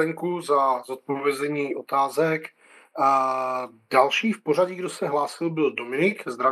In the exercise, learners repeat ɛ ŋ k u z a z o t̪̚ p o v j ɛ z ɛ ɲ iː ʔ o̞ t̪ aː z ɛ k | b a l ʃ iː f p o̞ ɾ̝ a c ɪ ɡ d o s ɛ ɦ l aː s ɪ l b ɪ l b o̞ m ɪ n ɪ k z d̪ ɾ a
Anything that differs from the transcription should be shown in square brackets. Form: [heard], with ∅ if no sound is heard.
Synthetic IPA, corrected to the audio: ɛ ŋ k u z a z o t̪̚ p o v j ɛ z ɛ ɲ iː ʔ o̞ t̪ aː z ɛ k | [d] a l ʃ iː f p o̞ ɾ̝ a [ɟ] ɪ ɡ d o s ɛ ɦ l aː s ɪ l b ɪ l [d] o̞ m ɪ n ɪ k z d̪ ɾ a